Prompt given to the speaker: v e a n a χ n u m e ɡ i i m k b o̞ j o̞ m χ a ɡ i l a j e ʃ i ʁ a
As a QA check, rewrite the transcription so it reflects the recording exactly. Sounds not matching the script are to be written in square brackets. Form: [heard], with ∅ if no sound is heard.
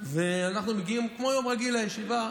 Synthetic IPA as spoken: v e a n a χ n u m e ɡ i i m k [m] o̞ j o̞ m [ʁ] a ɡ i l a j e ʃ i [v] a